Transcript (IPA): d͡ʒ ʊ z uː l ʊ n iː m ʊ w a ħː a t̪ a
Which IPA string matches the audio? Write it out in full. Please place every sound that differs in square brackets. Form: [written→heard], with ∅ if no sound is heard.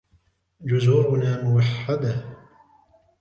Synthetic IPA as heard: d͡ʒ ʊ z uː [l→ɾ] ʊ n [iː→aː] m ʊ w a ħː a [t̪→d̪] a